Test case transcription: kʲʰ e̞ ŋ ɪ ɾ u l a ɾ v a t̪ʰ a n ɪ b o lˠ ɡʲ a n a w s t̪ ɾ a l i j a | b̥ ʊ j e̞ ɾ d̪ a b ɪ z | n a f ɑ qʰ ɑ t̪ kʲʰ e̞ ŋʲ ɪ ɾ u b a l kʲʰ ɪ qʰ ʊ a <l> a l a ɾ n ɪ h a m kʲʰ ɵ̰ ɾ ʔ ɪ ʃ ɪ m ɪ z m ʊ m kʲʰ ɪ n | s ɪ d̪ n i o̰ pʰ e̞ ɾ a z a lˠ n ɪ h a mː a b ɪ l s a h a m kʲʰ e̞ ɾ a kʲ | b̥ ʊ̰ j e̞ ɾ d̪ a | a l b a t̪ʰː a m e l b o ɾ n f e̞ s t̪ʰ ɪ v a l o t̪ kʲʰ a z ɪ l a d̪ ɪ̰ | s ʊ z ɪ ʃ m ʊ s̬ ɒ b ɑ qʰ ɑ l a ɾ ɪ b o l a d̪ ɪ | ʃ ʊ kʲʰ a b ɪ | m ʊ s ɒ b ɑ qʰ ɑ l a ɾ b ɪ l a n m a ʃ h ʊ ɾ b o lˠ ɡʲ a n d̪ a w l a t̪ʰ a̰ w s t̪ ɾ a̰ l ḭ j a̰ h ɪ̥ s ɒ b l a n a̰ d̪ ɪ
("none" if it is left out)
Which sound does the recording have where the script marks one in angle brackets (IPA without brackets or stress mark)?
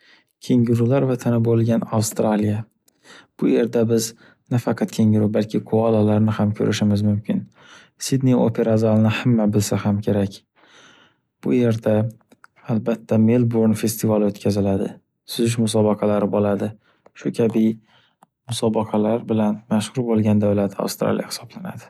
l